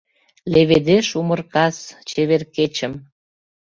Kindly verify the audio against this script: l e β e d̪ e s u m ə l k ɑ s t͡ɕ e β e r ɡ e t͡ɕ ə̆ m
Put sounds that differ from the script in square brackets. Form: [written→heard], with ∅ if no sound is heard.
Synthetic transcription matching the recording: l e β e d̪ e [s→ʃ] u m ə [l→r] k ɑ s t͡ɕ e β e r [ɡ→k] e t͡ɕ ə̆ m